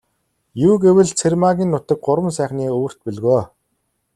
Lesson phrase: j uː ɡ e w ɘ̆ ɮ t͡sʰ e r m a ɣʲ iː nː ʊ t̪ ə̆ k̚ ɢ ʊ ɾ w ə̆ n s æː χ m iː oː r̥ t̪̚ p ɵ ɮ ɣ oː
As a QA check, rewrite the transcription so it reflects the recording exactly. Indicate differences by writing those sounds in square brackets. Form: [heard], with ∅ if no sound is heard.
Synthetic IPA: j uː ɡ e w ɘ̆ ɮ t͡sʰ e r m a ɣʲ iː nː ʊ t̪ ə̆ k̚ ɢ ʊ ɾ w ə̆ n s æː χ [n] iː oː r̥ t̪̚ p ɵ ɮ ɣ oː

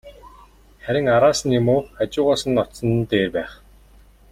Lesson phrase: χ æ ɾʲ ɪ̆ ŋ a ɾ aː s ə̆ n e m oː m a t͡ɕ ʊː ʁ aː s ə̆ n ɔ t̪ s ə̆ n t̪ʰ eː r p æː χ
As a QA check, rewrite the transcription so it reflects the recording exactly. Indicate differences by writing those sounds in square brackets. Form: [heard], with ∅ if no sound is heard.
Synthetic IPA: χ æ ɾʲ ɪ̆ ŋ a ɾ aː s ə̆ n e m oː [∅] a t͡ɕ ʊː ʁ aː s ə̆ n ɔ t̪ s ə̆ n [t̪] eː r p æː χ

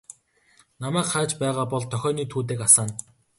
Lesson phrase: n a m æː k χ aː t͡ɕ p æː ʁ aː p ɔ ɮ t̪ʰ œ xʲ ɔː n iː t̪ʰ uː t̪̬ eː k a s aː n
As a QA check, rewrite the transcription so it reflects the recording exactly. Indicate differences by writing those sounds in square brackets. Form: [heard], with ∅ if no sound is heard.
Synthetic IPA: n a m æː k χ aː t͡ɕ p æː ʁ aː p ɔ ɮ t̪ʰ œ xʲ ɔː n iː t̪ʰ uː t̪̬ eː k a s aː n

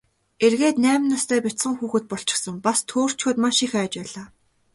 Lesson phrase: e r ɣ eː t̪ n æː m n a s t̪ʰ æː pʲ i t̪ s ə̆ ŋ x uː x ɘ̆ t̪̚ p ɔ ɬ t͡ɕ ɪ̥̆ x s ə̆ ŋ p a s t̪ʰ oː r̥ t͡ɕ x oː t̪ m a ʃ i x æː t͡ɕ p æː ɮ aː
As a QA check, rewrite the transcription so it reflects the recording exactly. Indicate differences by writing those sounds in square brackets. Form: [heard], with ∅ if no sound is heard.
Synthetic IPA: e r ɣ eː t̪ n æː m n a s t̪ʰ æː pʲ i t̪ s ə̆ ŋ x uː x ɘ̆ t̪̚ p ɔ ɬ t͡ɕ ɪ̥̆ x s ə̆ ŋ p a s t̪ʰ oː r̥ t͡ɕ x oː t̪ m a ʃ i x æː t͡ɕ p æː ɮ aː

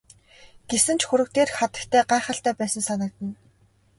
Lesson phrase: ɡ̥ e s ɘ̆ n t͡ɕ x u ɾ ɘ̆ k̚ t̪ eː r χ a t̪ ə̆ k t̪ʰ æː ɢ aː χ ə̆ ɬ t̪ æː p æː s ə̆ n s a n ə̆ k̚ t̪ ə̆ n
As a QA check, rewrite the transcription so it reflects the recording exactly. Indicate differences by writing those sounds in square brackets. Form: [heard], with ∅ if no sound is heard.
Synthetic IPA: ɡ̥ e s ɘ̆ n t͡ɕ x u ɾ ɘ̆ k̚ t̪ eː r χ a t̪ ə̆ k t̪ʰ æː ɢ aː χ ə̆ ɬ t̪ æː p æː s ə̆ n s a n ə̆ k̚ t̪ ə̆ n

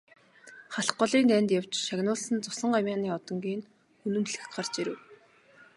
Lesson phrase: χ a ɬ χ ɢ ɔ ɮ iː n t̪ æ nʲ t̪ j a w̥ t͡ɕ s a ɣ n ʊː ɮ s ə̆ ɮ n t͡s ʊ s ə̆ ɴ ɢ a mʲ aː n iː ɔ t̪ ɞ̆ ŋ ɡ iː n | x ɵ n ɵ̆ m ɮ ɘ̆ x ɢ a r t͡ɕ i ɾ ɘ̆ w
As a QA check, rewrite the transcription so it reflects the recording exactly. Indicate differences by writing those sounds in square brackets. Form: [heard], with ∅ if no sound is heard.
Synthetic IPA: χ a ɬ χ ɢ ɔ ɮ iː n t̪ æ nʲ t̪ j a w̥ t͡ɕ [ʃ] a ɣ n ʊː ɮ s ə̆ [∅] n t͡s ʊ s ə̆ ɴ ɢ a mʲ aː n iː ɔ t̪ ɞ̆ ŋ ɡ iː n | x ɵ n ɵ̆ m ɮ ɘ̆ x ɢ a r t͡ɕ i ɾ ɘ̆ w

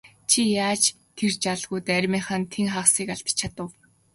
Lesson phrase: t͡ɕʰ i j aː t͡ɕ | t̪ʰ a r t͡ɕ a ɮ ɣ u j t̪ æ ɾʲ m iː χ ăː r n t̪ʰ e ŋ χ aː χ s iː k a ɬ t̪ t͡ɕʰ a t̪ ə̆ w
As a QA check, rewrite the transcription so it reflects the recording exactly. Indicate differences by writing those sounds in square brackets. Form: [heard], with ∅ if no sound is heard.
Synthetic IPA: t͡ɕʰ i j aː t͡ɕ | t̪ʰ [e] r t͡ɕ a ɮ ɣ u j t̪ æ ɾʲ m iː χ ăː [∅] n t̪ʰ e ŋ χ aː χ s iː k a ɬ t̪ t͡ɕʰ a t̪ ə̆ w

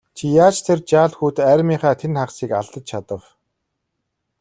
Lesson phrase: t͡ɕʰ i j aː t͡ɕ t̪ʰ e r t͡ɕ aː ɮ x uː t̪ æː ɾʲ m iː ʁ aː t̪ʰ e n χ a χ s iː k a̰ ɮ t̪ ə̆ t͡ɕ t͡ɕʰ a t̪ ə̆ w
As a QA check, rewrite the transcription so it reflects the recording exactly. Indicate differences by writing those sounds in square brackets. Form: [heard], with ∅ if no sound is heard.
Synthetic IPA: t͡ɕʰ i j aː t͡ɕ t̪ʰ e r t͡ɕ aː ɮ x uː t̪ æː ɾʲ m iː [χ] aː t̪ʰ e n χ a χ s iː k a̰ ɮ t̪ ə̆ t͡ɕ t͡ɕʰ a t̪ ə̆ w

